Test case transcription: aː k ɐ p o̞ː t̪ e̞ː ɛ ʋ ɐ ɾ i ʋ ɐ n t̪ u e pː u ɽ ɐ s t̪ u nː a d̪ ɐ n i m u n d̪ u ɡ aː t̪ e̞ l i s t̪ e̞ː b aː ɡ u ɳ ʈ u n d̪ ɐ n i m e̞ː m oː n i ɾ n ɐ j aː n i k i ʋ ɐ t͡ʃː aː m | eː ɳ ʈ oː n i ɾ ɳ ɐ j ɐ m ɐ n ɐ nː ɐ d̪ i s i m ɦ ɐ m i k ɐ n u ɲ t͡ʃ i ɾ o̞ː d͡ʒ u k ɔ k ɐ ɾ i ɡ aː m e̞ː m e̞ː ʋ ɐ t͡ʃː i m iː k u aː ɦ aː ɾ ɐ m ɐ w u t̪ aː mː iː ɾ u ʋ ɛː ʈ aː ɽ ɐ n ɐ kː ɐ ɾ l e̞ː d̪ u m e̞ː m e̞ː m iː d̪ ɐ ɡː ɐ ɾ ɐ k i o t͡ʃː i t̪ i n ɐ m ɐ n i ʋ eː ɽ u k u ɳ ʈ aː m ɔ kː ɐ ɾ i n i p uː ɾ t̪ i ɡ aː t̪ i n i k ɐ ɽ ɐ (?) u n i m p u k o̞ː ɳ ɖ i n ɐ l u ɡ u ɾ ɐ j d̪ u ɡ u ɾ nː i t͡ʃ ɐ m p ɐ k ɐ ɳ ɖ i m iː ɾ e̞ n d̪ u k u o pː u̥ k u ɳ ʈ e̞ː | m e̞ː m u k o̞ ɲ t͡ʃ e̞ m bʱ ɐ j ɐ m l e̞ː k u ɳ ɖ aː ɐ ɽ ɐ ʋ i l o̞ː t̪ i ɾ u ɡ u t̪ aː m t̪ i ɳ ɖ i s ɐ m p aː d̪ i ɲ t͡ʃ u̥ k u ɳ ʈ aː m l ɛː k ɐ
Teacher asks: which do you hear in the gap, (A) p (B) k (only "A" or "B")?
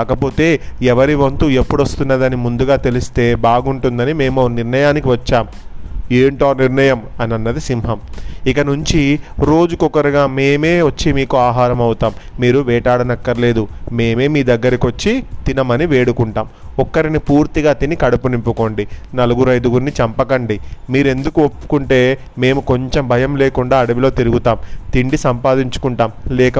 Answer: A